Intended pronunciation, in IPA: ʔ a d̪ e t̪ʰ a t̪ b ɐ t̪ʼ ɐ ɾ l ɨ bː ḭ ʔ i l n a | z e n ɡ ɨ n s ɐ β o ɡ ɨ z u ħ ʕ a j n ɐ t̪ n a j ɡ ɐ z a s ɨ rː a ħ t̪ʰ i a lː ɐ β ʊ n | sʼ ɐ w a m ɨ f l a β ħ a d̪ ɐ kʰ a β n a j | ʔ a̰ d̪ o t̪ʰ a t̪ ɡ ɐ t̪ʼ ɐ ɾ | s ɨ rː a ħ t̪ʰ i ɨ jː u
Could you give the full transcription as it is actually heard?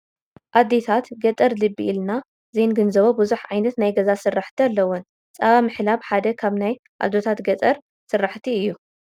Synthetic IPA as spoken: ʔ a d̪ e t̪ʰ a t̪ ɡ ɐ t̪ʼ ɐ ɾ l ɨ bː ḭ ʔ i l n a | z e n ɡ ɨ n z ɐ β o b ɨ z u ħ ʕ a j n ɐ t̪ n a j ɡ ɐ z a s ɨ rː a ħ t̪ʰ i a lː ɐ w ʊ n | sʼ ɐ β a m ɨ ħ l a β ħ a d̪ ɐ kʰ a β n a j | ʔ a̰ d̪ o t̪ʰ a t̪ ɡ ɐ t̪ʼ ɐ ɾ | s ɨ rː a ħ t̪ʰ i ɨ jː u